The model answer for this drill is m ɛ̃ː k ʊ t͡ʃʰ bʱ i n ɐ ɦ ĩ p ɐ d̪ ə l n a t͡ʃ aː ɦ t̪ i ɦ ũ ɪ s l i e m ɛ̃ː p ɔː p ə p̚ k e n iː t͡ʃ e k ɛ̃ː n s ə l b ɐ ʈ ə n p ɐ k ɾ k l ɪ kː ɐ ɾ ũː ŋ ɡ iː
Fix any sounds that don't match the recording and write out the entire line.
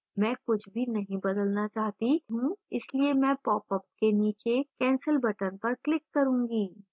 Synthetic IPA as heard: m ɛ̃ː k ʊ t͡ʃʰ bʱ i n ɐ ɦ ĩ b ɐ d̪ ə l n a t͡ʃ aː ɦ t̪ i ɦ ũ ɪ s l i e m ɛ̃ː p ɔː p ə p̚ k e n iː t͡ʃ e k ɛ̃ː n s ə l b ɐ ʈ ə n p ɐ ɾ k l ɪ kː ɐ ɾ ũː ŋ ɡ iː